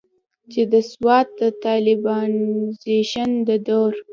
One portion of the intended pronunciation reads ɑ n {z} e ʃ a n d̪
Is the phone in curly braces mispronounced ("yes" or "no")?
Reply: no